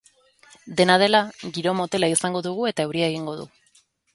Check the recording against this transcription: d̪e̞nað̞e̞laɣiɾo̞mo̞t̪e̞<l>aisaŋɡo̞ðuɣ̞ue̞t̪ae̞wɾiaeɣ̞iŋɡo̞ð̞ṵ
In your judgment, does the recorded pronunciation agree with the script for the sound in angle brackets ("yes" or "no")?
yes